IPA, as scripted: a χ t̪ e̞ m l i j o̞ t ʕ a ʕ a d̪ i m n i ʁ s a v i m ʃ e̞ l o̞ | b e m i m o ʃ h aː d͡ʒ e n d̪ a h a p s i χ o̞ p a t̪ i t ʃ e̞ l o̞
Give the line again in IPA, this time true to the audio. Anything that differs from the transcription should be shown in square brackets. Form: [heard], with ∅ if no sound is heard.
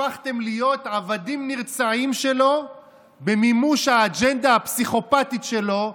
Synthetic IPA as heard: a χ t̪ e̞ m l i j o̞ t ʕ a [v] a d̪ i m n i ʁ [t͡s] a [ʕ] i m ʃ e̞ l o̞ | b e m i m [u] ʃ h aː d͡ʒ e n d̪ a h a p s i χ o̞ p a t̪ i t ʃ e̞ l o̞